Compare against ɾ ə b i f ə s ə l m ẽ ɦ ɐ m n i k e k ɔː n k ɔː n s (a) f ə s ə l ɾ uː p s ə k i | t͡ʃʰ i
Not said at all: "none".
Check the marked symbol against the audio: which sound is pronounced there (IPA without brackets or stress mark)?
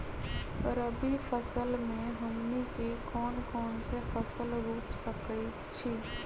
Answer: e